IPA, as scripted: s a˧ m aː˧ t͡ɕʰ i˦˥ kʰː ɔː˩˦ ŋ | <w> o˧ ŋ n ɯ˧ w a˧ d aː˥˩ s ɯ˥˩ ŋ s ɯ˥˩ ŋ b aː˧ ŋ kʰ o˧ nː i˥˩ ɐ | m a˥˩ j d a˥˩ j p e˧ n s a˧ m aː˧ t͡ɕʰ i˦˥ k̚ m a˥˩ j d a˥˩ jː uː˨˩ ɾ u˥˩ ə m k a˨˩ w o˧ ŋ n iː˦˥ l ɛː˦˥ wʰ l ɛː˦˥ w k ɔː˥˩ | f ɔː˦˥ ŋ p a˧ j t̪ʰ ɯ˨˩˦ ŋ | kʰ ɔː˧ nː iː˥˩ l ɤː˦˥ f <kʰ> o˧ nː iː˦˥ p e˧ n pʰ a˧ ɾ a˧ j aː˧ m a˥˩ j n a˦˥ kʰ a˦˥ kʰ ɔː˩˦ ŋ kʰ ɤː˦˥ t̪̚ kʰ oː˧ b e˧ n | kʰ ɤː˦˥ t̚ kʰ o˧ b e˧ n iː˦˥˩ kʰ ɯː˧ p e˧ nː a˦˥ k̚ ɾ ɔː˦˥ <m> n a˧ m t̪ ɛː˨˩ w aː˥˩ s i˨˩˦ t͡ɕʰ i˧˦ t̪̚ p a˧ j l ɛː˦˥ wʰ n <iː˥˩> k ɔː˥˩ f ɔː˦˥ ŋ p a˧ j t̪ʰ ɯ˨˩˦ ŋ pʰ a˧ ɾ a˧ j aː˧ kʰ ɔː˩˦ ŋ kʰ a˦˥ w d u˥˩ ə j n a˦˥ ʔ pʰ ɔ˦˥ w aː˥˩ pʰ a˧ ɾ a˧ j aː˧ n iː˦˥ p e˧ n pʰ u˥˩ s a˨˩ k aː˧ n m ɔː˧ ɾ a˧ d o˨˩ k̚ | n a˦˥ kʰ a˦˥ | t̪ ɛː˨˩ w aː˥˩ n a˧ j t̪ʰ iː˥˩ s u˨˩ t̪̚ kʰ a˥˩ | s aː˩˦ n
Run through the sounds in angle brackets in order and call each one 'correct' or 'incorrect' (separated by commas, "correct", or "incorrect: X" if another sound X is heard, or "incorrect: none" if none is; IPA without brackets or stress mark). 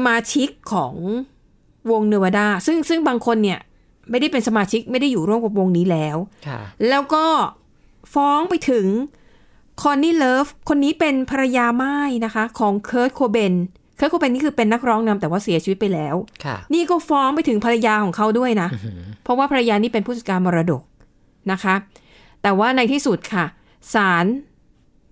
correct, correct, incorrect: ŋ, correct